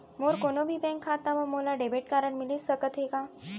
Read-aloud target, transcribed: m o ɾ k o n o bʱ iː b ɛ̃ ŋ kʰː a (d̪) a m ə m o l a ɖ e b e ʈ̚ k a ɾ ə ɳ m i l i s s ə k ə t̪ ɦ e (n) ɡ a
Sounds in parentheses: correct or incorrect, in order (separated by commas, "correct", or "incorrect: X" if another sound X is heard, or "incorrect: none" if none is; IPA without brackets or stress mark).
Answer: incorrect: t̪, incorrect: none